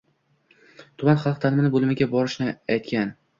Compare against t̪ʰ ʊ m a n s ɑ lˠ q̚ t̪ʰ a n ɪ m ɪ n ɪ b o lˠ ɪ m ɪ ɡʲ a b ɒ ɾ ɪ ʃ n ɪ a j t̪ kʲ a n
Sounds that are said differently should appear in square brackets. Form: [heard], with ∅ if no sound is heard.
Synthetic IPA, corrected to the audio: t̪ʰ ʊ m a n [χ] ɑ lˠ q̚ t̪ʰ a n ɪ m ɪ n ɪ b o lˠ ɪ m ɪ ɡʲ a b ɒ ɾ ɪ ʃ n ɪ a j t̪ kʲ a n